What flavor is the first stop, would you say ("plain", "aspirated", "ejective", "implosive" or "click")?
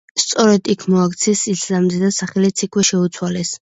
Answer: plain